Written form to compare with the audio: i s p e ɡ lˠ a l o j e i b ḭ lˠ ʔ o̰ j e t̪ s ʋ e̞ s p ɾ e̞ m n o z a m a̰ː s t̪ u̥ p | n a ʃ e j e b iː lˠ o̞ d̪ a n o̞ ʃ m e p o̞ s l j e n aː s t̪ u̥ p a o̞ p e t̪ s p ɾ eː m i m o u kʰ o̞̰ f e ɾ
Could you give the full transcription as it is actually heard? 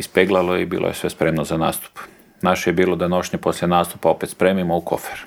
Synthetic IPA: i s p e ɡ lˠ a l o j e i b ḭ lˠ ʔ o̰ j e s ʋ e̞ s p ɾ e̞ m n o z a n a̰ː s t̪ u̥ p | n a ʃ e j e b iː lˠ o̞ d̪ a n o̞ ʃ ɲ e p o̞ s l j e n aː s t̪ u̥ p a o̞ p e t̪ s p ɾ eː m i m o u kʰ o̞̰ f e ɾ